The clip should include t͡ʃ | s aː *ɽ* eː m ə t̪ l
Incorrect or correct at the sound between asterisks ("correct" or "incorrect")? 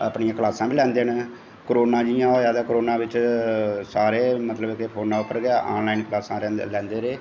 incorrect